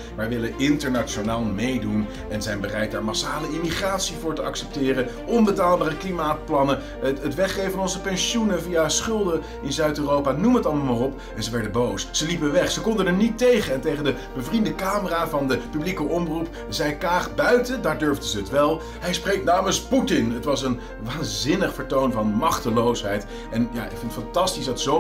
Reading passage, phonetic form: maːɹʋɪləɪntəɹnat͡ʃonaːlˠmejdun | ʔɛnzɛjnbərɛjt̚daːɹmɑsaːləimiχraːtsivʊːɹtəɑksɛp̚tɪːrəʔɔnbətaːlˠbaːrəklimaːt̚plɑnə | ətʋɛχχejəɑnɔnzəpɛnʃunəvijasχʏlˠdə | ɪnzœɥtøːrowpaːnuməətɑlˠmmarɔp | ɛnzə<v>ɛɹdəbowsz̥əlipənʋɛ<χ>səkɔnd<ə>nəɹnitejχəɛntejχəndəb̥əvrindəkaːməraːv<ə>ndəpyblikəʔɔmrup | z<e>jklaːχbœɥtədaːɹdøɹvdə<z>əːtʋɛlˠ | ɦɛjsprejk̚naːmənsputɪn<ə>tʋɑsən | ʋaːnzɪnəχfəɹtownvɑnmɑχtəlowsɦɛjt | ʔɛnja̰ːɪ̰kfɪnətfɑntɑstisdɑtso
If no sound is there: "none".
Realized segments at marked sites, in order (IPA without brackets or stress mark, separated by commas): ʋ, χ, ə, ɑ, ɛ, z, ə